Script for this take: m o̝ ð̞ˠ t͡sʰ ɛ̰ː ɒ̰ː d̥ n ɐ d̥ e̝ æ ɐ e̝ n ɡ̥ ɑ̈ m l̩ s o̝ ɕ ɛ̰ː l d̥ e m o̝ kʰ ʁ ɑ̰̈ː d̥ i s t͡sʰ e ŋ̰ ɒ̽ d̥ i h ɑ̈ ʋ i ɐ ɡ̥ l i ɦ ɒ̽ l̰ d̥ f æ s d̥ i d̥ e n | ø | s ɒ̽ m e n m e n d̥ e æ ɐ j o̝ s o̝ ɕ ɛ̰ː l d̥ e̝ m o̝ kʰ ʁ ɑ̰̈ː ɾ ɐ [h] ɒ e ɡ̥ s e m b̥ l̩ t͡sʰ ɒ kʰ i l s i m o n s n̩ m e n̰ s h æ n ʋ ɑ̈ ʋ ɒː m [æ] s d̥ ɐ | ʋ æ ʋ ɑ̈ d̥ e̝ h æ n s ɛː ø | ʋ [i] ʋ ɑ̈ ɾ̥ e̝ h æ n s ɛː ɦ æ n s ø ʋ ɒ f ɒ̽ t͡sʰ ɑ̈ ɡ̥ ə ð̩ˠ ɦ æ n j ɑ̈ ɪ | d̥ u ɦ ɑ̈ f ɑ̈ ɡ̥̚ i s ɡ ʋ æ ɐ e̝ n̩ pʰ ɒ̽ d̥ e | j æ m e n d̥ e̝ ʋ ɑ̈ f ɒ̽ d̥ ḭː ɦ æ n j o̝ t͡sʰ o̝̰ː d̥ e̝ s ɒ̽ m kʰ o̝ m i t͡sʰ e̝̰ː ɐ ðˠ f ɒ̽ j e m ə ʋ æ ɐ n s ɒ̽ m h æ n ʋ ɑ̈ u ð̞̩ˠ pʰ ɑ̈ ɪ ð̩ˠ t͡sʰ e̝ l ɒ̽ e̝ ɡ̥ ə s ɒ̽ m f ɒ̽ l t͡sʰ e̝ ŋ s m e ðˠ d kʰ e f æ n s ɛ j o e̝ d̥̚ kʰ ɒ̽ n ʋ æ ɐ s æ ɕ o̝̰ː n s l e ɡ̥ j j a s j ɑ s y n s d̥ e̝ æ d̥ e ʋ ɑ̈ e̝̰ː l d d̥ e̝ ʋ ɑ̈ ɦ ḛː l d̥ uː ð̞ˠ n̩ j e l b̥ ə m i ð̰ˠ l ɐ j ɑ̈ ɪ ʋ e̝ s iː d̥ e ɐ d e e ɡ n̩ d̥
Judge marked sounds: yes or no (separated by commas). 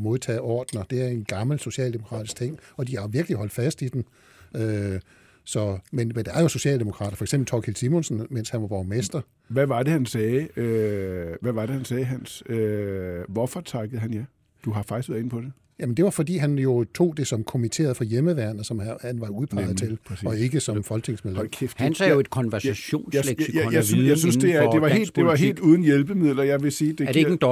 no, no, no